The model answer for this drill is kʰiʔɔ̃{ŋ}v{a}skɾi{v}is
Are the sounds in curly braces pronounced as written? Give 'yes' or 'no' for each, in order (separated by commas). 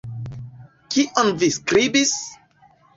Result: no, no, no